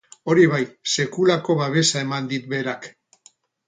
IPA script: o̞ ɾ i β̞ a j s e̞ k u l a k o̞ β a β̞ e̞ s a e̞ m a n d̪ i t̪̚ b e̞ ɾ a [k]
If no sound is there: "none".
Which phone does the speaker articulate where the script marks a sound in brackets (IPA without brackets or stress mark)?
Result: k